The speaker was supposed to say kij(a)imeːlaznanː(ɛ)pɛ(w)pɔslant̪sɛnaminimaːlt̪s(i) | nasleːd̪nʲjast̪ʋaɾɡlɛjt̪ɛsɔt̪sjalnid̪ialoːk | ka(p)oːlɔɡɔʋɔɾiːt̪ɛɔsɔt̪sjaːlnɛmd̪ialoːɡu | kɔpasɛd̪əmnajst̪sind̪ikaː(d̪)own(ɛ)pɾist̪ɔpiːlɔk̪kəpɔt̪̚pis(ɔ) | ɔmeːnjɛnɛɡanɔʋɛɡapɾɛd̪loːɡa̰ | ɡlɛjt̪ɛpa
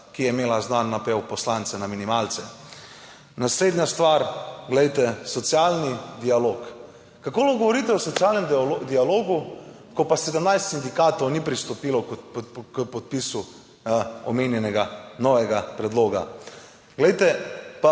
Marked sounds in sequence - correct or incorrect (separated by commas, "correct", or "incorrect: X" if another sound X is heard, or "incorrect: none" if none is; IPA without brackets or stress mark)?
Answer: incorrect: ɛ, incorrect: a, correct, incorrect: ɛ, incorrect: k, incorrect: t̪, incorrect: i, incorrect: u